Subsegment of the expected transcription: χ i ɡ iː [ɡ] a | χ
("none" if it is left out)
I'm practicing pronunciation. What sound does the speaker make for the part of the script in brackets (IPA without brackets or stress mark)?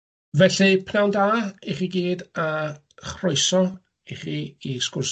d